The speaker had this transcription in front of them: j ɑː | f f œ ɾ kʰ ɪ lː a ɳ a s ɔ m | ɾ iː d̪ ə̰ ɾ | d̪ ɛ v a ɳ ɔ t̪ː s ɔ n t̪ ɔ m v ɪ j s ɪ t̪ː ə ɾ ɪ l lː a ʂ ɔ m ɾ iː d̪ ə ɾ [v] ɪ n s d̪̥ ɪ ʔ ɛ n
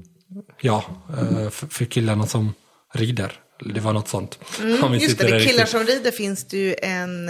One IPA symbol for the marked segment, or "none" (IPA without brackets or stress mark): f